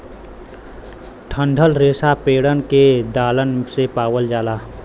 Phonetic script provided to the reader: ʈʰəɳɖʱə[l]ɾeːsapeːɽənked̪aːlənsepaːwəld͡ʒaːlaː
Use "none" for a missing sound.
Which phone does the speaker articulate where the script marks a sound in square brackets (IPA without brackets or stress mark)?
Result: l